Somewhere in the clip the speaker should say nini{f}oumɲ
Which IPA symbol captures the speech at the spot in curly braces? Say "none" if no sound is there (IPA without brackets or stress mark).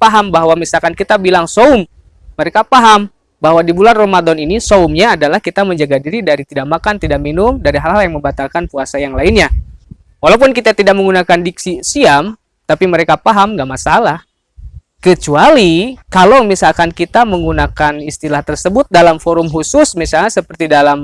s